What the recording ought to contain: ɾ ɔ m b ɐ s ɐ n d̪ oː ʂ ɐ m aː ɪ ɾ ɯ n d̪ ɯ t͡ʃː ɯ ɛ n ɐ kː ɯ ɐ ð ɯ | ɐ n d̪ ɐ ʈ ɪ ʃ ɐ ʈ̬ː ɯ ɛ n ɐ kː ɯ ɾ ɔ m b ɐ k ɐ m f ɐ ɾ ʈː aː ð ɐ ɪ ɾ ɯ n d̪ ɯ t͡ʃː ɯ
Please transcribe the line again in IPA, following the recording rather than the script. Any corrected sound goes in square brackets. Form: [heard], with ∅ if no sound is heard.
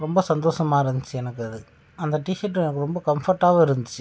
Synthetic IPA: ɾ ɔ m b ɐ s ɐ n d̪ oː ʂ ɐ m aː ɪ ɾ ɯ n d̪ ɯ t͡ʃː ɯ ɛ n ɐ kː ɯ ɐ ð ɯ | ɐ n d̪ ɐ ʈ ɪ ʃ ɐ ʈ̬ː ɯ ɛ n ɐ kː ɯ ɾ ɔ m b ɐ k ɐ m f ɐ ɾ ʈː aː [ɣ] ɐ ɪ ɾ ɯ n d̪ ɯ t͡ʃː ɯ

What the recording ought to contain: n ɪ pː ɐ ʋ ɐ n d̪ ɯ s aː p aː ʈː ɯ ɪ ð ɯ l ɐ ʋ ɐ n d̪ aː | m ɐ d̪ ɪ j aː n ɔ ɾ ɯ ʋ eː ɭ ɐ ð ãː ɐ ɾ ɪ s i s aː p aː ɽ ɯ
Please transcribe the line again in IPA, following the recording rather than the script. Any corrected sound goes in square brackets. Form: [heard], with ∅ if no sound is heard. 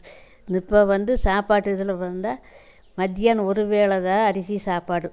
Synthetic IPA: n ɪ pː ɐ ʋ ɐ n d̪ ɯ s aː p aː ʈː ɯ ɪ ð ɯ l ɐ ʋ ɐ n d̪ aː | m ɐ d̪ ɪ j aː n ɔ ɾ ɯ ʋ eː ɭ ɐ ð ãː ɐ ɾ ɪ s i s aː p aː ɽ ɯ

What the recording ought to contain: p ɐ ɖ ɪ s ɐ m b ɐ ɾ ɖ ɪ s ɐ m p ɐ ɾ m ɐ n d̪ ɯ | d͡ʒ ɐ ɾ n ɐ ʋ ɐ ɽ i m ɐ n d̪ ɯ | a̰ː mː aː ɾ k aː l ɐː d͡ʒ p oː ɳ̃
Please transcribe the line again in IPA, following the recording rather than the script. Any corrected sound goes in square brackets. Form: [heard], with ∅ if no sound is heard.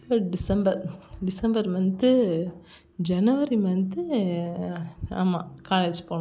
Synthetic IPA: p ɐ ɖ ɪ s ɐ m b ɐ ɾ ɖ ɪ s ɐ m [b] ɐ ɾ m ɐ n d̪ ɯ | d͡ʒ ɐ [∅] n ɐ ʋ ɐ [ɾ] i m ɐ n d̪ ɯ | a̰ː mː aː [∅] k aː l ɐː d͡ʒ p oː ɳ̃

